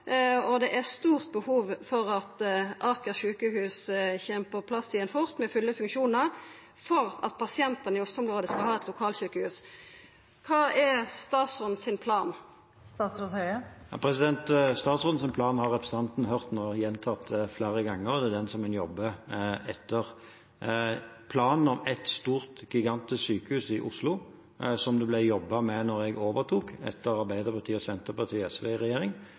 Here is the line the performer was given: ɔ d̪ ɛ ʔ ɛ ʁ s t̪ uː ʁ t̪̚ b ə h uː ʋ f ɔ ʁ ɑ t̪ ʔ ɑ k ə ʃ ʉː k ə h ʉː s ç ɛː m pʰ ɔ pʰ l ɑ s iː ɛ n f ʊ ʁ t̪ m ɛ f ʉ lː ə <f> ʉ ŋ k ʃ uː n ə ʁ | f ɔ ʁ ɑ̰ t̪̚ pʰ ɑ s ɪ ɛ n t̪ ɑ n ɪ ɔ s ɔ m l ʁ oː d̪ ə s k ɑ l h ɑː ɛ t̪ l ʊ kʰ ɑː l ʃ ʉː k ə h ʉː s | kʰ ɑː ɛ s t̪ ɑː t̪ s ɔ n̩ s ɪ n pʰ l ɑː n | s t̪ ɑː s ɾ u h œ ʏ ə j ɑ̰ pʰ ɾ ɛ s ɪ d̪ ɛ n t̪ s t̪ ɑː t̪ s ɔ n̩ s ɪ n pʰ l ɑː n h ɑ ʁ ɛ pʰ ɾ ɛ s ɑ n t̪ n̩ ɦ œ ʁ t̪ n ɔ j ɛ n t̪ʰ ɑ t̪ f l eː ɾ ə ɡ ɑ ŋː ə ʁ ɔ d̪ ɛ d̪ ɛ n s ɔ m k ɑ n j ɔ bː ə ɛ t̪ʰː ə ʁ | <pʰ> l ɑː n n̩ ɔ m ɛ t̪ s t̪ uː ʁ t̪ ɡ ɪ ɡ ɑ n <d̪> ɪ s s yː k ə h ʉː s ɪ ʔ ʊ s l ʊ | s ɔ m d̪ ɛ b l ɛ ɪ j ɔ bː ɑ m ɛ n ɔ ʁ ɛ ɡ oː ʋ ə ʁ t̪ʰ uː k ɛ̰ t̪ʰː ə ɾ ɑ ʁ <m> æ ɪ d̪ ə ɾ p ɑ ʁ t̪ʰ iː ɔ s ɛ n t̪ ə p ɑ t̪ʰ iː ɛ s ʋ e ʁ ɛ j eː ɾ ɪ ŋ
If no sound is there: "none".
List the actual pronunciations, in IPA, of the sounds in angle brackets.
f, pʰ, t̪, b

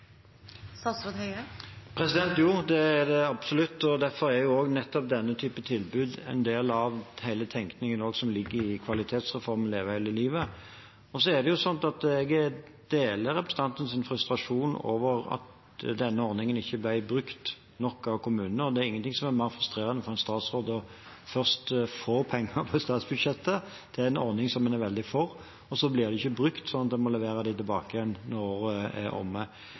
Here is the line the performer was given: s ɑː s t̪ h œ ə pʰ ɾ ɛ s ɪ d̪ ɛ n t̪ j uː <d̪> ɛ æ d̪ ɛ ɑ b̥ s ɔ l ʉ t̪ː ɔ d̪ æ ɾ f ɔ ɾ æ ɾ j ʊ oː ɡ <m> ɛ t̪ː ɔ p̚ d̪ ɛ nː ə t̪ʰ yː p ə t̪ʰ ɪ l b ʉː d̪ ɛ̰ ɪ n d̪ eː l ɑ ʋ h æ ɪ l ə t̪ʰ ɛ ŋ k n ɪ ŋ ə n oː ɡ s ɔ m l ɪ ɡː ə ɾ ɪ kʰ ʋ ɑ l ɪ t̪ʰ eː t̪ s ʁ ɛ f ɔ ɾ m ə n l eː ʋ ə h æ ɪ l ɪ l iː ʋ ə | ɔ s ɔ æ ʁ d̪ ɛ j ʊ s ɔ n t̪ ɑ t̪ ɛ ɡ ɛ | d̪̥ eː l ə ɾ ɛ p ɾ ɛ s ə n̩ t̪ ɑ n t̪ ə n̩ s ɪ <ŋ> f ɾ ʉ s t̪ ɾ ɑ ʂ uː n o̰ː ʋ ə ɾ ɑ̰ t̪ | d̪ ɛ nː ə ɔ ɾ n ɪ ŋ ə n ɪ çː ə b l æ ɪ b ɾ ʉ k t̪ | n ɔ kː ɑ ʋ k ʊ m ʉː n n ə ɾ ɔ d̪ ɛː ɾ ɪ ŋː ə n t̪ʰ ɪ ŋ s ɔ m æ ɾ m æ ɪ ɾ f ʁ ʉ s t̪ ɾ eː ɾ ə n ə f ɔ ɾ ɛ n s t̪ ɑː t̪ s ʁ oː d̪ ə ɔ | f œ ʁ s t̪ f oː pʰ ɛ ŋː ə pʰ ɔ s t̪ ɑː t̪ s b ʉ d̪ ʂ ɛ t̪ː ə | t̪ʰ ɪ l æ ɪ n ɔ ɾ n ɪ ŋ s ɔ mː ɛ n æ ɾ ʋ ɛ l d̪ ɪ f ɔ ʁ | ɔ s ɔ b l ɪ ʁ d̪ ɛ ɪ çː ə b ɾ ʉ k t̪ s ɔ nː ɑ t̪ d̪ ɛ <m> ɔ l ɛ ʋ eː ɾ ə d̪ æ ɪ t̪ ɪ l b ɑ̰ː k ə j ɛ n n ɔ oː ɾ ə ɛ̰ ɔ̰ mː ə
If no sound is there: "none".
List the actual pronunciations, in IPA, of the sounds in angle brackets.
d̪, n, n, m

